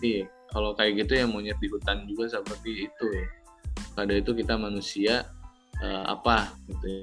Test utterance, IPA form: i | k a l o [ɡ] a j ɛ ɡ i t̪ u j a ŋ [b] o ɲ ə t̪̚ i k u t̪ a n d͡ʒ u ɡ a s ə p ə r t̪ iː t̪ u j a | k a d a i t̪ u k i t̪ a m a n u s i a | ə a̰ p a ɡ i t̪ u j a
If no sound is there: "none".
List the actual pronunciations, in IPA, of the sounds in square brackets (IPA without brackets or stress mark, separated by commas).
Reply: k, m